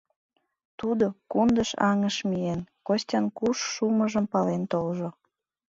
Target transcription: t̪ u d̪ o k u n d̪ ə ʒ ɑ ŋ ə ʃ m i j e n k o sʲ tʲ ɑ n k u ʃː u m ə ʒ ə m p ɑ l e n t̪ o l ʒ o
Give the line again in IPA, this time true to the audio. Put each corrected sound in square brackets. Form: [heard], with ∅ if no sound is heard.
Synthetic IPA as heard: t̪ u d̪ o k u n d̪ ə [ʃ] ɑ ŋ ə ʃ m i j e n k o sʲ tʲ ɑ n k u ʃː u m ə ʒ ə m p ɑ l e n t̪ o l ʒ o

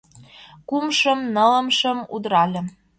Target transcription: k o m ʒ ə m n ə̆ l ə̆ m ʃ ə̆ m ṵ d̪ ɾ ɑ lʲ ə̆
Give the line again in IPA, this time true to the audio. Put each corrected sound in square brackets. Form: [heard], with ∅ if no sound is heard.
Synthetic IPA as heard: k [u] m [ʃ] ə m n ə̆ l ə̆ m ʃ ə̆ m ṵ d̪ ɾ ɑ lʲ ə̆

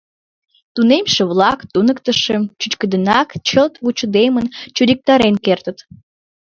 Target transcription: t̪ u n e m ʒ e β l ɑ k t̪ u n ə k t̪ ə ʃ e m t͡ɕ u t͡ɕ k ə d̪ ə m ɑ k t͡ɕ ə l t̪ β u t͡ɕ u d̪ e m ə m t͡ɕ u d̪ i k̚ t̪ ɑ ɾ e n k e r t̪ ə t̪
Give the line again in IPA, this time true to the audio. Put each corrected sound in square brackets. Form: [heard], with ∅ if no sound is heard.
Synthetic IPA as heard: t̪ u n e m [ʃ] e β l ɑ k t̪ u n ə k t̪ ə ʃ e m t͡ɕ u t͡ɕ k ə d̪ ə [n] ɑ k t͡ɕ ə l t̪ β u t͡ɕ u d̪ e m ə [n] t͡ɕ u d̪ i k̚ t̪ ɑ ɾ e n k e r t̪ ə t̪

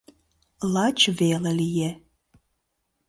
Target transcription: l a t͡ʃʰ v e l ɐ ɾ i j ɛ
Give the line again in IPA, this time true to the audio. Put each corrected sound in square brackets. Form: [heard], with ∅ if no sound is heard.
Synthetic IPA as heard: l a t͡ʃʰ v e l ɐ [l] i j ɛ

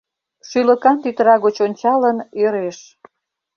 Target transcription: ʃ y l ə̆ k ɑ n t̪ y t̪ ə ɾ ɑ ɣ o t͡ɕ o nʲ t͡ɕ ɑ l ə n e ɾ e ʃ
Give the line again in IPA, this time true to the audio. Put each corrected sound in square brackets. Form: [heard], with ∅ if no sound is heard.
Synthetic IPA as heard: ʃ y l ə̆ k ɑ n t̪ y t̪ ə ɾ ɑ ɣ o t͡ɕ o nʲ t͡ɕ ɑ l ə n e ɾ e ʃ

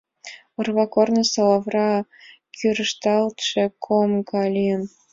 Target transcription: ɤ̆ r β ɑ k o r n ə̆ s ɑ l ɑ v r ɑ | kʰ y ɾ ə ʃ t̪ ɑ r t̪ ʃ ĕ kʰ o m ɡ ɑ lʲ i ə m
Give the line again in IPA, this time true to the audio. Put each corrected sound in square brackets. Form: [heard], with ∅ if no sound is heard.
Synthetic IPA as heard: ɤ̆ r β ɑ k o r n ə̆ s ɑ l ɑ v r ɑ | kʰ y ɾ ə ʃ t̪ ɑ [l] t̪ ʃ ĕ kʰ o m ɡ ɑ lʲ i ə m

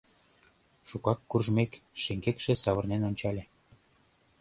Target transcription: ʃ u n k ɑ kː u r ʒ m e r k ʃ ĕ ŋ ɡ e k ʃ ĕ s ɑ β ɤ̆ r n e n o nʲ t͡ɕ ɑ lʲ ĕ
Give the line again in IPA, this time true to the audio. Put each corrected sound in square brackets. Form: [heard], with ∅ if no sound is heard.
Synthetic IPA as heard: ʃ u [∅] k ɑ kː u r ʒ m e [∅] k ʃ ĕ ŋ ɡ e k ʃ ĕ s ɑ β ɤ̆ r n e n o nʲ t͡ɕ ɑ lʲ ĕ

